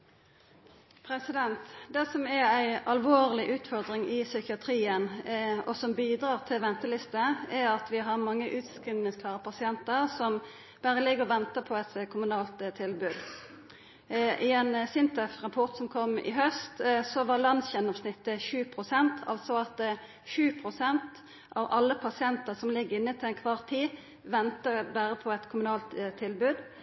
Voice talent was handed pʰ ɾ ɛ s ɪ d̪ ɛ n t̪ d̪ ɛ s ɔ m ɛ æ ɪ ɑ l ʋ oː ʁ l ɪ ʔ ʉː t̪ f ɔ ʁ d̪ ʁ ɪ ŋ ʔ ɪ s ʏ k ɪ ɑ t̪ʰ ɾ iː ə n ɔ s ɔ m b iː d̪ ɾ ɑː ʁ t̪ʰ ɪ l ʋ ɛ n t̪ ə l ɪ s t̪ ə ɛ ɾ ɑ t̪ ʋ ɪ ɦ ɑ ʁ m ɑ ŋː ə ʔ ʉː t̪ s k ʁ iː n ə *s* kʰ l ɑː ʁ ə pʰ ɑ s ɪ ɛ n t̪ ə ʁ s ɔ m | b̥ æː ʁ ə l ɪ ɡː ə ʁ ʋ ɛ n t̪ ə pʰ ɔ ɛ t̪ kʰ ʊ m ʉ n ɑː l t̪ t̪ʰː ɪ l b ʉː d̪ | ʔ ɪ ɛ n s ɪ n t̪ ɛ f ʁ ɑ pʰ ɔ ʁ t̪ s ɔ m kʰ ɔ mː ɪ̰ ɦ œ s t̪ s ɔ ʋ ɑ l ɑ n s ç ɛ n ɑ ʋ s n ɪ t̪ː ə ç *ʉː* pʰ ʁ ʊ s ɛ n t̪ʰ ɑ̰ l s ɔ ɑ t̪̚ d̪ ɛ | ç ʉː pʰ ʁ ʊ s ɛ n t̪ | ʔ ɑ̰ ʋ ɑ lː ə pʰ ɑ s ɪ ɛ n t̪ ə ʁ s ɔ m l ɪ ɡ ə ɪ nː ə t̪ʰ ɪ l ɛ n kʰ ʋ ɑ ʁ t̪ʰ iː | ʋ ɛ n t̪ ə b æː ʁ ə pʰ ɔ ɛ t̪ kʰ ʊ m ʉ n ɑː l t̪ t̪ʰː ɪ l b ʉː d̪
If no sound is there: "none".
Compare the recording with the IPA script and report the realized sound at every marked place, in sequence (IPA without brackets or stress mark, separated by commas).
s, ʉː